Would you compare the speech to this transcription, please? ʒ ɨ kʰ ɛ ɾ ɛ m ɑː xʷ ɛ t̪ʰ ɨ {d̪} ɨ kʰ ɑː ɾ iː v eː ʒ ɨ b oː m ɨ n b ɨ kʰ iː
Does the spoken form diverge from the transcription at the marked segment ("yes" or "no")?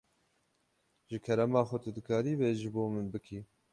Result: no